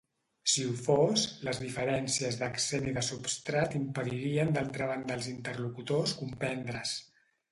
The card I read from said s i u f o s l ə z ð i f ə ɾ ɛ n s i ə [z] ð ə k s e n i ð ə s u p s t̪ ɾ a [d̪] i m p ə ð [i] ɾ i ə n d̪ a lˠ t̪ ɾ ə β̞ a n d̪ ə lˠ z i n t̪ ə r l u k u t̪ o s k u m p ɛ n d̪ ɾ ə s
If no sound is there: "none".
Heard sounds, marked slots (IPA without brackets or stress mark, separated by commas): z, t̪, i